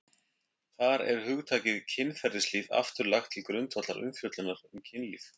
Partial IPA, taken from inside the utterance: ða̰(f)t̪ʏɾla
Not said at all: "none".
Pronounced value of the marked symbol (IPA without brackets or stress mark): f